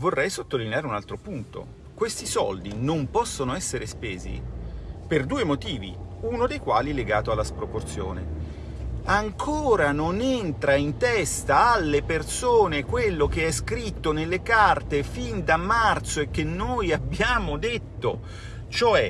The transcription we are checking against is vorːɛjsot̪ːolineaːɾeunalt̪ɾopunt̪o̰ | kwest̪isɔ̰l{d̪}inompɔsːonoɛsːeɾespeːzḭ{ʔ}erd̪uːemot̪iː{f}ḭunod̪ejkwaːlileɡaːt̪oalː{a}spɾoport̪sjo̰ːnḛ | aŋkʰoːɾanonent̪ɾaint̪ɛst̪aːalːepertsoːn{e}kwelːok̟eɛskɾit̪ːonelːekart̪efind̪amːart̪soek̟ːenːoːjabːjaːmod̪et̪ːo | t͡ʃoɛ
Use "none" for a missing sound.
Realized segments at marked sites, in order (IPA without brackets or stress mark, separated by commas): d̪, p, v, a, e